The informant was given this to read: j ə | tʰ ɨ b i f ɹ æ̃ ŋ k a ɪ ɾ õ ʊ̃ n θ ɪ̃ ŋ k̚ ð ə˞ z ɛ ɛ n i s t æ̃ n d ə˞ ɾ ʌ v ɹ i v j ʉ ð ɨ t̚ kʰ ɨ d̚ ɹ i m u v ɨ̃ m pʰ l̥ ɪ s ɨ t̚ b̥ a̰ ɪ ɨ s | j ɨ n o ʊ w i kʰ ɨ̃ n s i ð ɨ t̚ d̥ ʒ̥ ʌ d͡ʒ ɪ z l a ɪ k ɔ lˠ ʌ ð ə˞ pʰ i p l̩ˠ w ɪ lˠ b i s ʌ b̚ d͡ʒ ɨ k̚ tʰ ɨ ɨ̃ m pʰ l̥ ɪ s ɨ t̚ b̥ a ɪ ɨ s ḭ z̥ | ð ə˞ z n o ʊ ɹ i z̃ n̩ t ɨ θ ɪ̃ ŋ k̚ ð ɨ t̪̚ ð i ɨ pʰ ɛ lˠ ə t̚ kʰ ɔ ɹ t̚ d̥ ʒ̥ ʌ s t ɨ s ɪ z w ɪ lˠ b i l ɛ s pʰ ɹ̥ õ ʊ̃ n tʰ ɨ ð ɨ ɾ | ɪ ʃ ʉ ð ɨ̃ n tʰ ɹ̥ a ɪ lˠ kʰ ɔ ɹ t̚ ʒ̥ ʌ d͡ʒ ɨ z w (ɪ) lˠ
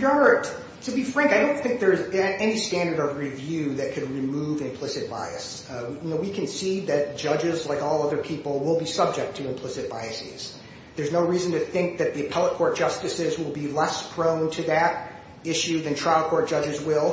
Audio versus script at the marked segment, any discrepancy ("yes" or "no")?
no